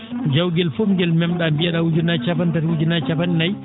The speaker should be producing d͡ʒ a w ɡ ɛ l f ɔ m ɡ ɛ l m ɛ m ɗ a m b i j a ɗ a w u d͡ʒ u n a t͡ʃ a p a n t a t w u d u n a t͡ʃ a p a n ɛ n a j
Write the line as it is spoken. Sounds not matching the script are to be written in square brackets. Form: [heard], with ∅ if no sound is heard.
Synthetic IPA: d͡ʒ a w ɡ ɛ l f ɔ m ɡ ɛ l m ɛ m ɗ a m b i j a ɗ a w u d͡ʒ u n a t͡ʃ a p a n t a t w u [d͡ʒ] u n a t͡ʃ a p a n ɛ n a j